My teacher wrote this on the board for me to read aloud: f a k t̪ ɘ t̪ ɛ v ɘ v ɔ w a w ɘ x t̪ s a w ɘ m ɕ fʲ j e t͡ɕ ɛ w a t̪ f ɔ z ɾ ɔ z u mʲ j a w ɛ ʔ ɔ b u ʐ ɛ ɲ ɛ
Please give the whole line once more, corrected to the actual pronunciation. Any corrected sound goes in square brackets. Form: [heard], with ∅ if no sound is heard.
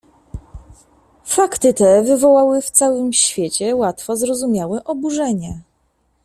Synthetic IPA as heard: f a k t̪ ɘ t̪ ɛ v ɘ v ɔ w a w ɘ [f] t̪ s a w ɘ m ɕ fʲ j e t͡ɕ ɛ w a t̪ f ɔ z ɾ ɔ z u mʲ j a w ɛ ʔ ɔ b u ʐ ɛ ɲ ɛ